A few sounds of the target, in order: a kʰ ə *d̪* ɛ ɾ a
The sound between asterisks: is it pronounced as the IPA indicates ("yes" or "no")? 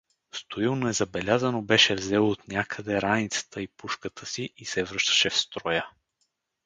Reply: yes